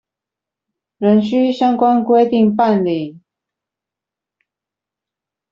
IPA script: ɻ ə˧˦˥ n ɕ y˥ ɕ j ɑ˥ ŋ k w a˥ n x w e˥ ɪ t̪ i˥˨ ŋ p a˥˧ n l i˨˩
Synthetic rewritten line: ɻ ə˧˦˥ n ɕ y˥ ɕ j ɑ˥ ŋ k w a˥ n k w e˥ ɪ t̪ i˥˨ ŋ p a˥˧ n l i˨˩